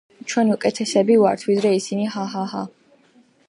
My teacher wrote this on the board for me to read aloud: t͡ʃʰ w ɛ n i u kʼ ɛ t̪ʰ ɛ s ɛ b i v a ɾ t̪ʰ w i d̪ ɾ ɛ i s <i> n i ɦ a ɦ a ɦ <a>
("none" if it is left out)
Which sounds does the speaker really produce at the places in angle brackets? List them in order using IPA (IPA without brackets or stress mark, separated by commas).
i, a